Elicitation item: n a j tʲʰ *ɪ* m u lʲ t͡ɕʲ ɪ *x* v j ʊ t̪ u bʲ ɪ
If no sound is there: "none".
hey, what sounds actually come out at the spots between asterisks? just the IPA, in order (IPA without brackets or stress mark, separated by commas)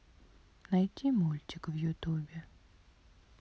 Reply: i, k